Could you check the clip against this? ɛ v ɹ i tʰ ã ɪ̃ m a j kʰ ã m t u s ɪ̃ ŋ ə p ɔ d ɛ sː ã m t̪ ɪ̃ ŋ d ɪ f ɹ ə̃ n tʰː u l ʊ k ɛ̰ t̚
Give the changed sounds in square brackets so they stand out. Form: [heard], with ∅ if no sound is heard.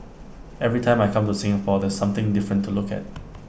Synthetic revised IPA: ɛ v ɹ i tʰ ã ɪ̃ m a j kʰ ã m t u s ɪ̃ ŋ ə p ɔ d ɛ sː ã m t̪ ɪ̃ ŋ d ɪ f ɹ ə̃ n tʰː u l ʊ k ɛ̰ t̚